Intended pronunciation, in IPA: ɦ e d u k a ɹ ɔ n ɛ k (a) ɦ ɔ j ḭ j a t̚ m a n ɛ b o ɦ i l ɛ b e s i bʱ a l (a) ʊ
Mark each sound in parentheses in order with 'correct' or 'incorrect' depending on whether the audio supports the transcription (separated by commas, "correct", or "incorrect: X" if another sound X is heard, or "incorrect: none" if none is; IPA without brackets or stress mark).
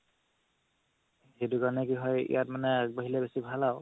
incorrect: i, correct